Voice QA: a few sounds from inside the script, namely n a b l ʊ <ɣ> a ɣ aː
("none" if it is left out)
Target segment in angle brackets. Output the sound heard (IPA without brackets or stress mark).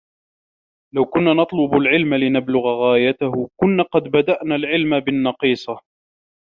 ɣ